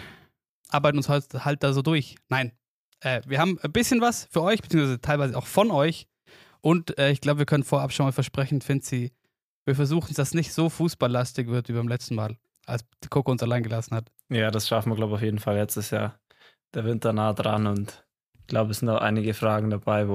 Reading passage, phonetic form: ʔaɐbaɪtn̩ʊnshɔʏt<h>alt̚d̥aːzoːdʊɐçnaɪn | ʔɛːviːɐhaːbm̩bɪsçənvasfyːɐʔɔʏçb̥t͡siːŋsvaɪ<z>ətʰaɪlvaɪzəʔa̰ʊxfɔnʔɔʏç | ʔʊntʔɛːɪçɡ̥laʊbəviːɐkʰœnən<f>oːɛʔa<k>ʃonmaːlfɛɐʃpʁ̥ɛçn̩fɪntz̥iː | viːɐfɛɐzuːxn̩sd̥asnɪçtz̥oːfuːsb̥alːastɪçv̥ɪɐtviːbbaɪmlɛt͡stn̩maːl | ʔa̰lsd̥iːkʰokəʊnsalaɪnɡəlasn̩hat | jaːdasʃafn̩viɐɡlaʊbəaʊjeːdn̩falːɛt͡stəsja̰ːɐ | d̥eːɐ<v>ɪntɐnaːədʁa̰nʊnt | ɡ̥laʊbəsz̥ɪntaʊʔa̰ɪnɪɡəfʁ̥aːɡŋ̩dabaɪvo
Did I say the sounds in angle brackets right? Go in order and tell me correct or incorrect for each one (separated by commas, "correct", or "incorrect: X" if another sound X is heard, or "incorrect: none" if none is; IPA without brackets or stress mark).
correct, correct, correct, incorrect: p, correct